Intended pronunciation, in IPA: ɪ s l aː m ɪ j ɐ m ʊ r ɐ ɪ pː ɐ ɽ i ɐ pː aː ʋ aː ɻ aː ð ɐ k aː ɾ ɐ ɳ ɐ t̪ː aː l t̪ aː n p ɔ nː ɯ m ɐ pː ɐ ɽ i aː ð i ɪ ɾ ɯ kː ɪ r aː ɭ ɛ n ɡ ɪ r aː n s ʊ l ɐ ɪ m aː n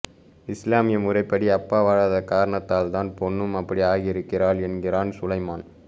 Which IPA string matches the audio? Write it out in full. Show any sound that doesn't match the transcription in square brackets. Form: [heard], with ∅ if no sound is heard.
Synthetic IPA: ɪ s l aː m ɪ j ɐ m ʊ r ɐ ɪ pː ɐ ɽ i ɐ pː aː ʋ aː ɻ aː ð ɐ k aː ɾ ɐ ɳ ɐ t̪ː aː l t̪ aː n p ɔ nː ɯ m ɐ pː ɐ ɽ i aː [ɣ] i ɪ ɾ ɯ kː ɪ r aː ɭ ɛ n ɡ ɪ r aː n s ʊ l ɐ ɪ m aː n